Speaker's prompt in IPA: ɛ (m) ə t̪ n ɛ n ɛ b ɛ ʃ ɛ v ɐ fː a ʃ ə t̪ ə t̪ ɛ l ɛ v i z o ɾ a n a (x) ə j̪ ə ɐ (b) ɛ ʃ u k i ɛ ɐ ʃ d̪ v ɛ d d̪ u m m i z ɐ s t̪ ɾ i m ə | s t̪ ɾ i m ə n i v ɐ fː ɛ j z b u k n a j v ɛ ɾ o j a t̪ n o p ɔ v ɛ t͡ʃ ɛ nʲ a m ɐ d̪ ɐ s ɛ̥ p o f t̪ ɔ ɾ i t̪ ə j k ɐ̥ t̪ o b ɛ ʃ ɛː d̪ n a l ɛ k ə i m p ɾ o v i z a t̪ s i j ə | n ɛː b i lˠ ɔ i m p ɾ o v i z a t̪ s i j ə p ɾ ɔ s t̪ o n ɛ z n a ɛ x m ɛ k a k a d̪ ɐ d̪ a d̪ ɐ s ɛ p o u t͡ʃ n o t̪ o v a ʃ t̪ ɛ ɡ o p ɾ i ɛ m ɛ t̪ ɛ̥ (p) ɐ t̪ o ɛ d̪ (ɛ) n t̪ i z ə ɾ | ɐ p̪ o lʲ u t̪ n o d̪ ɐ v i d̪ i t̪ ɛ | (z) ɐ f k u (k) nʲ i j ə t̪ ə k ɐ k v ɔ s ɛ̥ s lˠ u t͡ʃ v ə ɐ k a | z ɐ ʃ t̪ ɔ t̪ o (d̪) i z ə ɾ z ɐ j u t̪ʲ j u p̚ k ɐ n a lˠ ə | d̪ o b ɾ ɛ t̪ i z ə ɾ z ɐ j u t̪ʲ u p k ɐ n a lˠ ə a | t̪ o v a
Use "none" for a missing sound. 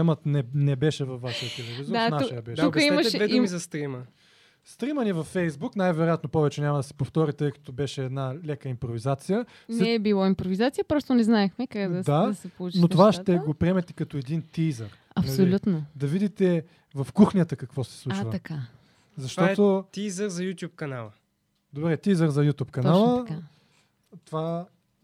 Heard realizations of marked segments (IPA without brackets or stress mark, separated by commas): m, ʃ, b, k, i, v, x, t̪